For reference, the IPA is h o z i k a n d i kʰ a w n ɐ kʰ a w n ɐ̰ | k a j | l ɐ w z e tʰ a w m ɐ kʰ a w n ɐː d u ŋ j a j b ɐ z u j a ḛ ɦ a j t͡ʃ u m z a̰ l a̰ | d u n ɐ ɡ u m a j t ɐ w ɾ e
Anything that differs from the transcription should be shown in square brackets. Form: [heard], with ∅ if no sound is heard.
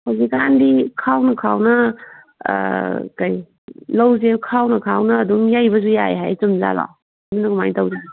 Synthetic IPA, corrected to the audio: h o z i k a n d i kʰ a w n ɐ kʰ a w n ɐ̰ | k a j | l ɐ w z e [kʰ] a w [n] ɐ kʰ a w n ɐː d u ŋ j a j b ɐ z u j a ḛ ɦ a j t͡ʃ u m z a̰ l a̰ | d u n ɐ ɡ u m a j t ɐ w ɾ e